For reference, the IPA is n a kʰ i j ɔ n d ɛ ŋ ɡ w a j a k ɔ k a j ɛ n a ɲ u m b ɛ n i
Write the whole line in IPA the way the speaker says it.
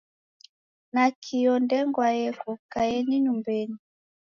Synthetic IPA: n a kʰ i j ɔ n d ɛ ŋ ɡ w a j ɛ k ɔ k a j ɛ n i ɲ u m b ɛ n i